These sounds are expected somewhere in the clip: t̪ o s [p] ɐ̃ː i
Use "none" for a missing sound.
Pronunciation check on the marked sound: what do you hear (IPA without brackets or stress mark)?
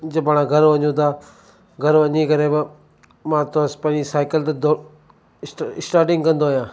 p